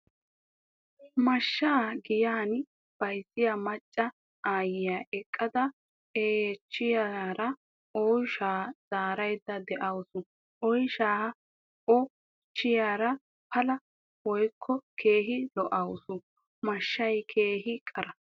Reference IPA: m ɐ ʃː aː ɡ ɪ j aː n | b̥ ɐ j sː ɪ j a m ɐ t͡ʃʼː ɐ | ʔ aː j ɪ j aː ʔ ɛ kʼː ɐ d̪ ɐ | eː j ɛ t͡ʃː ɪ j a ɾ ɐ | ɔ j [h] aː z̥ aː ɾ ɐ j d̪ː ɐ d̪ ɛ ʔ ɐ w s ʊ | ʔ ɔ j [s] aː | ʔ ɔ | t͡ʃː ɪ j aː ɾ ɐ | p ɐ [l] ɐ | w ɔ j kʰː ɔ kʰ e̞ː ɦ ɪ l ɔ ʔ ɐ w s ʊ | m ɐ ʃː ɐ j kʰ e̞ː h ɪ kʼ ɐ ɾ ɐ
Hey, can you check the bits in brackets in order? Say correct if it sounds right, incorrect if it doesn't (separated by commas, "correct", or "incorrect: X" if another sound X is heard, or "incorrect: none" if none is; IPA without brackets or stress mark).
incorrect: ʃ, incorrect: ʃ, correct